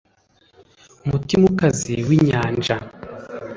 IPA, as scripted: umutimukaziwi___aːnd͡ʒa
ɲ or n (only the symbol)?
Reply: ɲ